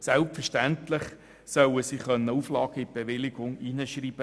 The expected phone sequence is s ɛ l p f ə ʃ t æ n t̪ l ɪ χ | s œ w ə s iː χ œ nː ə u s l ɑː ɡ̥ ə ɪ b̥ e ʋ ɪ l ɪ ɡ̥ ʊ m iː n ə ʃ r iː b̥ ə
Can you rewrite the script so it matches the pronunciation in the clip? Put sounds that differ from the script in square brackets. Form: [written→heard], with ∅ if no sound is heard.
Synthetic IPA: s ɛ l p f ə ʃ t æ n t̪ l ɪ χ | s œ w ə s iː χ œ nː ə u [s→f] l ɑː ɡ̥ ə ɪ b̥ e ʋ ɪ l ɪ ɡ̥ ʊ [m→ŋ] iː n ə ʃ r iː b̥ ə